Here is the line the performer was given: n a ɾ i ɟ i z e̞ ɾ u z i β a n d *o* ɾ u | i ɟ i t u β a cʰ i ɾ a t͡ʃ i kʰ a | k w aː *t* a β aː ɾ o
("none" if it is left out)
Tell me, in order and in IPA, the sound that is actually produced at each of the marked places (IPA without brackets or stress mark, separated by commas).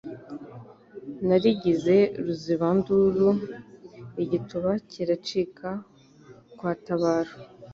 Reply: u, t